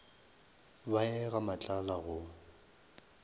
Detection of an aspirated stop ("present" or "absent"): absent